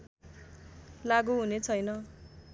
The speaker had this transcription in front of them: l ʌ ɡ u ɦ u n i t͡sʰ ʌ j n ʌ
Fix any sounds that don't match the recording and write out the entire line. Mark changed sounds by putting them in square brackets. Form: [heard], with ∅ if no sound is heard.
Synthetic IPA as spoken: l [a] ɡ u ɦ u n [e] t͡sʰ ʌ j n ʌ